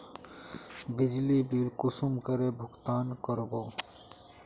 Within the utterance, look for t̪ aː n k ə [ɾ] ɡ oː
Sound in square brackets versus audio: correct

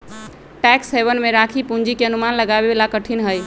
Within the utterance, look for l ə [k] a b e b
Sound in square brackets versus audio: incorrect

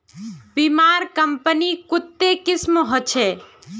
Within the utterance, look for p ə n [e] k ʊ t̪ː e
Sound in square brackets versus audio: incorrect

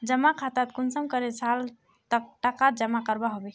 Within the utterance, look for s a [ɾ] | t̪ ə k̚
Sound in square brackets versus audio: incorrect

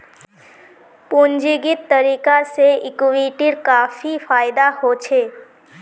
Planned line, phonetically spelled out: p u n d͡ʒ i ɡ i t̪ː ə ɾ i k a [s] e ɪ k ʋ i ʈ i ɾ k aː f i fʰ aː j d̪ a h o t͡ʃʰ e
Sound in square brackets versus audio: correct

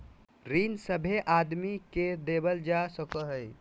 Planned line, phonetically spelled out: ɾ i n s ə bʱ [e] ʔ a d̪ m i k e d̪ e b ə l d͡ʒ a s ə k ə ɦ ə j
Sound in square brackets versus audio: correct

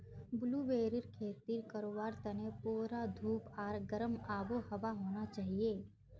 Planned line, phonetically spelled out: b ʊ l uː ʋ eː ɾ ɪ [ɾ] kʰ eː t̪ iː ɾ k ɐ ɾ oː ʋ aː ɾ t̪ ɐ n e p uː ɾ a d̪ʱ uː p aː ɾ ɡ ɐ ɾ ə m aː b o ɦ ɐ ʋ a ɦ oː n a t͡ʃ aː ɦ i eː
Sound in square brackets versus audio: correct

